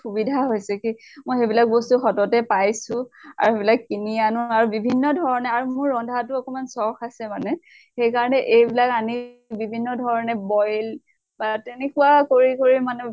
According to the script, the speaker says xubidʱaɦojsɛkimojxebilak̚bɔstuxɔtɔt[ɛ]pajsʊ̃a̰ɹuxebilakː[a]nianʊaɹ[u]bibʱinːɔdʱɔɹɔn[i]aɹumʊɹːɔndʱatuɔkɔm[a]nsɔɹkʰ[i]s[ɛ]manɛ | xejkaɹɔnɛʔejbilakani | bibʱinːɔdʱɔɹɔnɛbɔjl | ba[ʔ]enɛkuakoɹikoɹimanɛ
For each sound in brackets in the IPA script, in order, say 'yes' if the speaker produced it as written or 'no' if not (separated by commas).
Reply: yes, no, yes, no, yes, no, yes, no